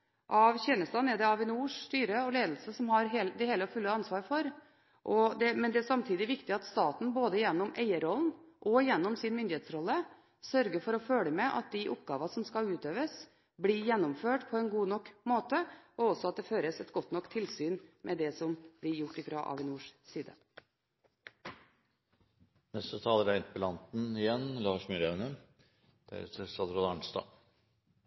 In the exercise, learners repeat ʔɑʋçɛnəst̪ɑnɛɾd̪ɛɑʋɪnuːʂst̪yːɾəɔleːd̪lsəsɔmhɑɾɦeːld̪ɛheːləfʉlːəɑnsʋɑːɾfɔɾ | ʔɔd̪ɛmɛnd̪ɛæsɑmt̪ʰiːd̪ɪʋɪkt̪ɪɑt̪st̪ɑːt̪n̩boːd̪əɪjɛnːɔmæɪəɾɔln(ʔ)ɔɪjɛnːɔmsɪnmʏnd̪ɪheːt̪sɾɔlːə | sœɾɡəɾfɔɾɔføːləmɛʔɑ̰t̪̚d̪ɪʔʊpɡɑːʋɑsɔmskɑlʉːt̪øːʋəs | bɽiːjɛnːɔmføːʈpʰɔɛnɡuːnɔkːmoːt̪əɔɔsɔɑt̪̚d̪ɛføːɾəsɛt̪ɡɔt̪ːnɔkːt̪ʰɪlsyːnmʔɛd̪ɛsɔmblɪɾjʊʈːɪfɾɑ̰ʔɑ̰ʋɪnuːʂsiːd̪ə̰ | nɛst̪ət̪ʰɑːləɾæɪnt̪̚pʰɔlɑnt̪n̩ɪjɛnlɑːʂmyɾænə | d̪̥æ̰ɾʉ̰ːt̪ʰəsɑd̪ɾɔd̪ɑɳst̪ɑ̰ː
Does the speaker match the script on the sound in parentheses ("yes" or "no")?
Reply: yes